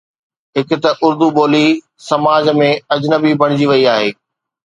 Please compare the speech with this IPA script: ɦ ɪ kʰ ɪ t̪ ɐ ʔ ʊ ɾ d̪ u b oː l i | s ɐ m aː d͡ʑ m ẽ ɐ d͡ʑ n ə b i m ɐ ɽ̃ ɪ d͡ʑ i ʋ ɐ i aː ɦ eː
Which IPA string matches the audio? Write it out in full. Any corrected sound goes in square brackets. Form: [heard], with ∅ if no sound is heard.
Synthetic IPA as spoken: ɦ ɪ [k] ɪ t̪ ɐ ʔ ʊ ɾ d̪ u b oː l i | s ɐ m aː d͡ʑ m ẽ ɐ d͡ʑ n ə b i [b] ɐ ɽ̃ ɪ d͡ʑ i ʋ ɐ i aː ɦ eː